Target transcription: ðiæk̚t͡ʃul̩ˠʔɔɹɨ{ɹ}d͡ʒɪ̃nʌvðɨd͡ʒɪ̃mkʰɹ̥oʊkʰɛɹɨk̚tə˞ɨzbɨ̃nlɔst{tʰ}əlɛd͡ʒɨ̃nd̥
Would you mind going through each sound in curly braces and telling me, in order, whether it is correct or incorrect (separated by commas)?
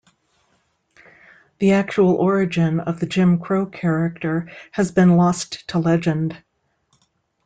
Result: incorrect, correct